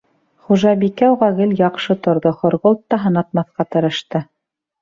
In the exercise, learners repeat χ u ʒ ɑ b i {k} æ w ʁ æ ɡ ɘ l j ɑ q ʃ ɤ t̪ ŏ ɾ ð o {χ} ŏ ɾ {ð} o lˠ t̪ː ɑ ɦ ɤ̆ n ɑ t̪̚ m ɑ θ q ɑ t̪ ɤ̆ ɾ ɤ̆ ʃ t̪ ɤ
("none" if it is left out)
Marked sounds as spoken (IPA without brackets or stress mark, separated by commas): k, χ, ʁ